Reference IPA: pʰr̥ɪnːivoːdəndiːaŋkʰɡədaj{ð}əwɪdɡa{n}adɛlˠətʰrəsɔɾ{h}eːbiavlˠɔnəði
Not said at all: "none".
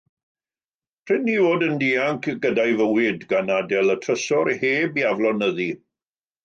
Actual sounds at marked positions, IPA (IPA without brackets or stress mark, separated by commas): v, n, h